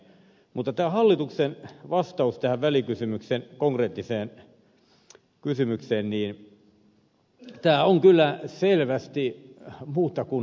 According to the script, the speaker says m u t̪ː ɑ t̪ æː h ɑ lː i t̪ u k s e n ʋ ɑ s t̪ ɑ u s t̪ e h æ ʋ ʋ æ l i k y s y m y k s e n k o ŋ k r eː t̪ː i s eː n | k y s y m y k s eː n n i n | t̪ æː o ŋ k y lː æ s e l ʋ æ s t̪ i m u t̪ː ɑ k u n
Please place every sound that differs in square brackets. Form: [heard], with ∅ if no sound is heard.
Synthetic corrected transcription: m u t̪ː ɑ t̪ æː h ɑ lː i t̪ u k s e n ʋ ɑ s t̪ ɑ u s t̪ [æ] h æ ʋ ʋ æ l i k y s y m y k s e n k o ŋ k r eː t̪ː i s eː n | k y s y m y k s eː n n [iː] n | t̪ æː o ŋ k y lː æ s e l ʋ æ s t̪ i m [uː] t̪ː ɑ k u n